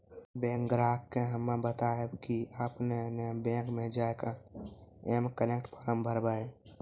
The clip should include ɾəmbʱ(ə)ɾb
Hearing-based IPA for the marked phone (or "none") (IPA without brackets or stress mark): ə